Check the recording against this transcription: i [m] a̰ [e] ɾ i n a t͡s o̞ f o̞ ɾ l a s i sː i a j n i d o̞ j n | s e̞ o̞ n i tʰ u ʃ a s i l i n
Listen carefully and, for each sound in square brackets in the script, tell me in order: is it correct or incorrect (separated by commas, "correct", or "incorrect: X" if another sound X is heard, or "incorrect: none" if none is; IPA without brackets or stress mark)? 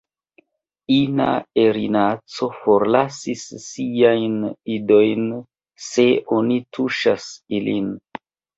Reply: incorrect: n, correct